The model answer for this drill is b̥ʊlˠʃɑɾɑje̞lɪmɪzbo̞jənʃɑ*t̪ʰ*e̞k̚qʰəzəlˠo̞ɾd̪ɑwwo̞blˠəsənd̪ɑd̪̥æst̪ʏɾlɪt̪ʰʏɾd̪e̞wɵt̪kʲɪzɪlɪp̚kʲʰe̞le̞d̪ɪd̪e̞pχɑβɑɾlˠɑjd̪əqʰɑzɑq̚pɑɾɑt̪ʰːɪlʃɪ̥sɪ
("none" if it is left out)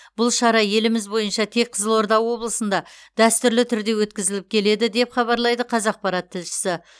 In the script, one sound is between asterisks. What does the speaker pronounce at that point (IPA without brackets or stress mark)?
t̪ʰ